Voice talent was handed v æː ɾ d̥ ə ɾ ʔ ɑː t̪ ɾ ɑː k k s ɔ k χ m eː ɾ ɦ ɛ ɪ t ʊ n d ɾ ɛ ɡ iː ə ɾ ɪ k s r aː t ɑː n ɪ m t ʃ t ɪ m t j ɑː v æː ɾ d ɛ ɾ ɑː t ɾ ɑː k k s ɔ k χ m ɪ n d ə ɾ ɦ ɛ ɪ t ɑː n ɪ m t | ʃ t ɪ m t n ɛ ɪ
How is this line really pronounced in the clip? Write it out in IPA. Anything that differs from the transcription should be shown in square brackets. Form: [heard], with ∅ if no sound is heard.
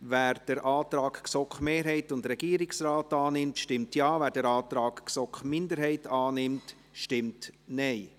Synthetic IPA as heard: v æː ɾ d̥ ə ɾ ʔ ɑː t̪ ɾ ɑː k k s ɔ k χ m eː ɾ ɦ ɛ ɪ t ʊ n d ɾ ɛ ɡ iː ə ɾ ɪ k s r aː t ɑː n ɪ m t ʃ t ɪ m t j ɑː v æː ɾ d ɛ ɾ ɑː t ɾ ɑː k k s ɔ k χ m ɪ n d ə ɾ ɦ ɛ ɪ t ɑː n ɪ m t | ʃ t ɪ m t n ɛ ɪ

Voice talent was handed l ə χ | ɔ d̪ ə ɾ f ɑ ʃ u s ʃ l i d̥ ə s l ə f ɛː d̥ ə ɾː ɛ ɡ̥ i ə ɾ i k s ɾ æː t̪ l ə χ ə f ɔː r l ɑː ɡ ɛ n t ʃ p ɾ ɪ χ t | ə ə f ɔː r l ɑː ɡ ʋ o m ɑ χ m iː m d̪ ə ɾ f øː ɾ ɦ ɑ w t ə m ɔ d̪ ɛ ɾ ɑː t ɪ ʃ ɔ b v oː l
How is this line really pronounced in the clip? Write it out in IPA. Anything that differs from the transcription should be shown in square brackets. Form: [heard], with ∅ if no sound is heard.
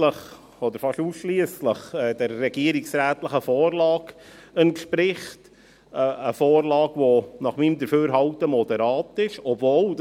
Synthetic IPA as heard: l ə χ | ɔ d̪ ə ɾ f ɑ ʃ u s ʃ l i [∅] ə s l ə [χ] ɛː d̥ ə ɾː ɛ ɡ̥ i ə ɾ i k s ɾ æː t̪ l ə χ ə f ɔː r l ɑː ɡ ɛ n t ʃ p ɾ ɪ χ t | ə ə f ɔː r l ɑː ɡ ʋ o [n] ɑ χ m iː m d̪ ə ɾ f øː ɾ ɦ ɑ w t ə m ɔ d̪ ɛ ɾ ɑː t ɪ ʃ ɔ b v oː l

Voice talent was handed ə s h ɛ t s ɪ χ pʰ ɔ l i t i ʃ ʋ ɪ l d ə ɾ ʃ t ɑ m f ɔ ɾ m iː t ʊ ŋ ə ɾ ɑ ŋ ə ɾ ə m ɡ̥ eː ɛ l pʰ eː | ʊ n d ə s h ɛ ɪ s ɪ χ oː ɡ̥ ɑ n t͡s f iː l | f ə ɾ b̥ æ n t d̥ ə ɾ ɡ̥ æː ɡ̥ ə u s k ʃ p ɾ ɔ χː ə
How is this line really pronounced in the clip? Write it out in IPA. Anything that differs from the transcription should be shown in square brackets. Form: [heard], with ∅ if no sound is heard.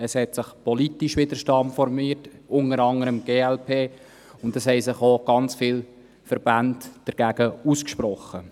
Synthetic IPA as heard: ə s h ɛ t s ɪ χ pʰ ɔ l i t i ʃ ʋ ɪ [∅] d ə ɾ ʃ t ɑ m f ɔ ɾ m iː t ʊ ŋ ə ɾ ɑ ŋ ə ɾ ə m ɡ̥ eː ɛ l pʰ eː | ʊ n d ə s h ɛ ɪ s ɪ χ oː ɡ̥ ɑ n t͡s f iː l | f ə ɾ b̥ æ n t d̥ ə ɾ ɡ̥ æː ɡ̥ ə u s k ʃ p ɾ ɔ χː ə

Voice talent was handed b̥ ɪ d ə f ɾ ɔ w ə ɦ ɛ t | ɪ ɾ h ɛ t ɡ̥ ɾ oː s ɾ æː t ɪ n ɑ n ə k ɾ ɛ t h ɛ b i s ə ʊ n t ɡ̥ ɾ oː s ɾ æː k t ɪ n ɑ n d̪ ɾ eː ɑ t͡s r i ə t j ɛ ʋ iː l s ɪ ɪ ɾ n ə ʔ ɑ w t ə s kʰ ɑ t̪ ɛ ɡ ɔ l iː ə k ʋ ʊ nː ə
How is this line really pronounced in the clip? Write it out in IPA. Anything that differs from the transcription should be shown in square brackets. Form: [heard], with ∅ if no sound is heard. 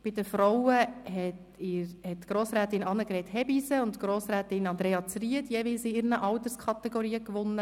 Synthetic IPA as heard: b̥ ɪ d ə f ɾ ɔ w ə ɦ ɛ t | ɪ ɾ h ɛ t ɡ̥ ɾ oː s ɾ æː t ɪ n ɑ n ə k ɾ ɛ t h ɛ b i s ə ʊ n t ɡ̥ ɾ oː s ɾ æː [∅] t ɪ n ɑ n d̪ ɾ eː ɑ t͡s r i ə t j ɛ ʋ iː l s ɪ ɪ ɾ n ə ʔ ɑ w t ə s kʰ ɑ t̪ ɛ ɡ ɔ [ɾ] iː ə k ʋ ʊ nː ə

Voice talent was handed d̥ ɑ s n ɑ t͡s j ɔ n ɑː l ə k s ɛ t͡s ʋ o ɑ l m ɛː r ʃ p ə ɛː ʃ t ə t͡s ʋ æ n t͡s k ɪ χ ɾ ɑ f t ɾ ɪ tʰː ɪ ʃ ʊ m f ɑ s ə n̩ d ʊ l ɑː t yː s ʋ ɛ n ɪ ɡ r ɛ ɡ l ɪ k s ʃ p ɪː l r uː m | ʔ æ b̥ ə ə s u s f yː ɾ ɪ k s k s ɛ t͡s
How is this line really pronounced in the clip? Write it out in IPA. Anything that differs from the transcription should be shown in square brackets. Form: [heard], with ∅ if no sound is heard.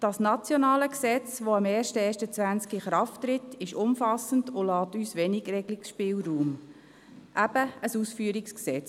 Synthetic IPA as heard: d̥ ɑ s n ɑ t͡s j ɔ n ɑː l ə k s ɛ t͡s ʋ o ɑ [∅] m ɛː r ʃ [t] ə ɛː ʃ t ə t͡s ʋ æ n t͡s k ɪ χ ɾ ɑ f t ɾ ɪ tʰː ɪ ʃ ʊ m f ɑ s ə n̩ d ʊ l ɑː t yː s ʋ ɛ n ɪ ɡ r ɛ ɡ l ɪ k s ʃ p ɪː l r uː m | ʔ æ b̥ ə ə s u s f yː ɾ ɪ k s k s ɛ t͡s

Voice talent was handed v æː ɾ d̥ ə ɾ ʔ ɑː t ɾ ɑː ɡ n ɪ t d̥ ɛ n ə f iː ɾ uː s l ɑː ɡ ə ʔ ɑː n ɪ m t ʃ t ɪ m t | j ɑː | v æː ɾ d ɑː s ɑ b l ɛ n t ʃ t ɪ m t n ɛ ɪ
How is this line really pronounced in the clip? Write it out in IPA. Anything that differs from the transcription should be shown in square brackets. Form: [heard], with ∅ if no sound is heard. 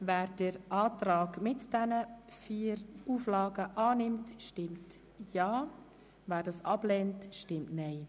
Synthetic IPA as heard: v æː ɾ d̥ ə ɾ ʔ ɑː t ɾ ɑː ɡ [m] ɪ t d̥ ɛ n ə f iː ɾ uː [f] l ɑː ɡ ə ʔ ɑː n ɪ m t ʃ t ɪ m t | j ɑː | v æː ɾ d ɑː s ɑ b l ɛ n t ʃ t ɪ m t n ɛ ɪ

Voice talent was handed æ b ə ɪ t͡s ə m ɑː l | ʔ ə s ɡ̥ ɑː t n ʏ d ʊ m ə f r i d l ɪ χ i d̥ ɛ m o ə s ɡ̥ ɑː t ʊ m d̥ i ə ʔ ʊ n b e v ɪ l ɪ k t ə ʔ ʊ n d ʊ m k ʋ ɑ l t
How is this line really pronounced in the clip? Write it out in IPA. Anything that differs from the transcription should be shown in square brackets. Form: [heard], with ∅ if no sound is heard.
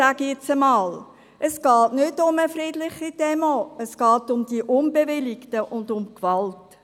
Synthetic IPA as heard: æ [ɡ] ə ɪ t͡s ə m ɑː l | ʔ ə s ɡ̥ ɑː t n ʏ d ʊ m ə f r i d l ɪ χ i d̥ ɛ m o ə s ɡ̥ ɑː t ʊ m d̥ i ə ʔ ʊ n b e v ɪ l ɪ k t ə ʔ ʊ n d ʊ m k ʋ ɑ l t

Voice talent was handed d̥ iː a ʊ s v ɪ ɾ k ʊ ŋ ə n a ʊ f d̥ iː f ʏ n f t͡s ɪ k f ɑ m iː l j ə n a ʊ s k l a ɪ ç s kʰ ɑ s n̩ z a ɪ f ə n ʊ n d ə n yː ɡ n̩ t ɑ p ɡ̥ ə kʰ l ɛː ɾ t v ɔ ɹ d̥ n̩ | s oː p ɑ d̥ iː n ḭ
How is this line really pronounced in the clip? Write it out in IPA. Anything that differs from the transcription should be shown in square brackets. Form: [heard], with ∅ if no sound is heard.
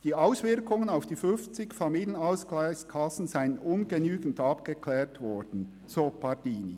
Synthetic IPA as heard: d̥ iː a ʊ s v ɪ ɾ k ʊ ŋ ə n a ʊ f d̥ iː f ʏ n f t͡s ɪ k f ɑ m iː l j ə n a ʊ s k l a ɪ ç s kʰ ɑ s n̩ z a ɪ [∅] ə n ʊ n [ɡ] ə n yː ɡ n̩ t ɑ p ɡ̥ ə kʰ l ɛː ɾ t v ɔ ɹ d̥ n̩ | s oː p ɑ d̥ iː n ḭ

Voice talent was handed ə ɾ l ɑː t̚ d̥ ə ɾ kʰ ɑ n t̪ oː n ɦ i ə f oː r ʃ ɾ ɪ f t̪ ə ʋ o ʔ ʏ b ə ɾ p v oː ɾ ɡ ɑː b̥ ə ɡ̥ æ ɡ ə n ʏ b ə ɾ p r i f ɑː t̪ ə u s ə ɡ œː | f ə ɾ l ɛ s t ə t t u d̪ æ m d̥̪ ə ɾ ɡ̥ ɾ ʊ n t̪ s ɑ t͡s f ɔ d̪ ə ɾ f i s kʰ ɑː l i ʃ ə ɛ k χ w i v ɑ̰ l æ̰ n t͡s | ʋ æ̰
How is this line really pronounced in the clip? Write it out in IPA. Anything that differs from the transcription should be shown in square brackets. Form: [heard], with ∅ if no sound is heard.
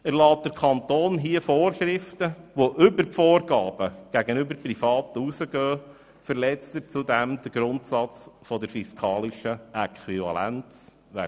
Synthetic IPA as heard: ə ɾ l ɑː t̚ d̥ ə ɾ kʰ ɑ n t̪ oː n ɦ i ə f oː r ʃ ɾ ɪ f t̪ ə ʋ o ʔ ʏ b ə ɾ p [f] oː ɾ ɡ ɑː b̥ ə ɡ̥ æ ɡ ə n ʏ b ə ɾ p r i f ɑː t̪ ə u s ə ɡ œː | f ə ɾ l ɛ [t͡s] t ə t [t͡s] u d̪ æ m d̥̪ ə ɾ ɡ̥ ɾ ʊ n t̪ s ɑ t͡s f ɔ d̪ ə ɾ f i s kʰ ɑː l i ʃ ə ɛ k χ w i v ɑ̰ l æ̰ n t͡s | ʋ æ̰

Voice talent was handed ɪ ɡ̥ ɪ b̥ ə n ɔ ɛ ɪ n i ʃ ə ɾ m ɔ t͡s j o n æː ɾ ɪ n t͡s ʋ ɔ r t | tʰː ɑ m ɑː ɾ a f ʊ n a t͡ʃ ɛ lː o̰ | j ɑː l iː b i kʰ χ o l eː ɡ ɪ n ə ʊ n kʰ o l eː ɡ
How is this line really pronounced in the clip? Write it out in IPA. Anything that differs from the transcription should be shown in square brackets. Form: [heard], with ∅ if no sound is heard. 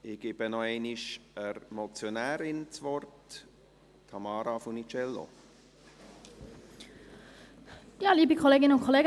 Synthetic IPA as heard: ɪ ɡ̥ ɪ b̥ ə n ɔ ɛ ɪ n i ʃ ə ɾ m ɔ t͡s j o n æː ɾ ɪ n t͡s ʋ ɔ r t | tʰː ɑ m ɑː ɾ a f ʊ n [i] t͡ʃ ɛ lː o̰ | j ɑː l iː b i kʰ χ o l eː ɡ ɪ n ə ʊ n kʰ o l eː ɡ

